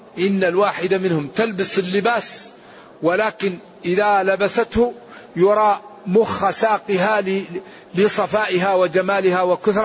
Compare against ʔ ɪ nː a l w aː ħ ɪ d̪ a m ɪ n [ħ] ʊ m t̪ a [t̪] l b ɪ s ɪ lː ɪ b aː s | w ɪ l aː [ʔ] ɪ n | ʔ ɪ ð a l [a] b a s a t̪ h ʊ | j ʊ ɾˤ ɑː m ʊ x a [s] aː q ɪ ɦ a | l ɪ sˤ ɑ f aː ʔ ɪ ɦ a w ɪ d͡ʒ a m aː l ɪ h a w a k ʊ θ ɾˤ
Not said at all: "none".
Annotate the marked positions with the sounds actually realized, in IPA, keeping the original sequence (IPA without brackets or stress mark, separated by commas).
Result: h, none, k, a, s